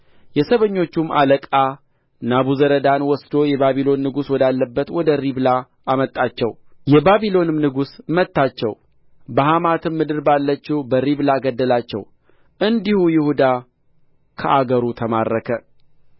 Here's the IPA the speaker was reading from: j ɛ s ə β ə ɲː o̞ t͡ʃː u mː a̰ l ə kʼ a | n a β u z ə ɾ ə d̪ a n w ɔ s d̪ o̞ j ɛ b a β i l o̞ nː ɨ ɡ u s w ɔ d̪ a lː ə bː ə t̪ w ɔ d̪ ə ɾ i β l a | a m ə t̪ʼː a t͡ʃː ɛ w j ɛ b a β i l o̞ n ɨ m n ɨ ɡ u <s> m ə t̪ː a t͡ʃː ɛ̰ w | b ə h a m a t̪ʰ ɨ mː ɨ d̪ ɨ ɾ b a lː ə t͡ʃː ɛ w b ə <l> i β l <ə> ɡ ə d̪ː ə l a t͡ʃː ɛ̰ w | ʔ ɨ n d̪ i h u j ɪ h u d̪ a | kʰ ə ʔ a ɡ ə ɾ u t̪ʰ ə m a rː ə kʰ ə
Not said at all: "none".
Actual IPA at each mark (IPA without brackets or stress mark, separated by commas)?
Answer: s, ɾ, a